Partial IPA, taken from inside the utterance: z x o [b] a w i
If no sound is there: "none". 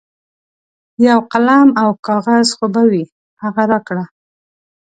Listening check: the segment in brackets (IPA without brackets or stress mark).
b